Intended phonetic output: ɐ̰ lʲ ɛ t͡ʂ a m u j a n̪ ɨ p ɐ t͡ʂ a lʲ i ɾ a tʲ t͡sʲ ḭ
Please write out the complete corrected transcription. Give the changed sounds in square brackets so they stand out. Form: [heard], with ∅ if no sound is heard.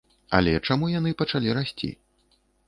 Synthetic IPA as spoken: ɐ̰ lʲ ɛ t͡ʂ a m u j a n̪ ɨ p ɐ t͡ʂ a lʲ i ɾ a [sʲ] t͡sʲ ḭ